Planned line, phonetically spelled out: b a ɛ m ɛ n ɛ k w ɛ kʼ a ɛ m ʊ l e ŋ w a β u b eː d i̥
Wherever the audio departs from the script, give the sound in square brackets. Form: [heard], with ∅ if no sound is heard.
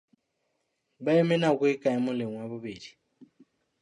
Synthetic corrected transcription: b a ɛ m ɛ n [a] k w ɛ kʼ a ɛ m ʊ l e ŋ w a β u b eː d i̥